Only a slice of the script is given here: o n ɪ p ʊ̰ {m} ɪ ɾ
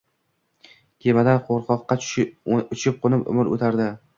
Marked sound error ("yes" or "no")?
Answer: no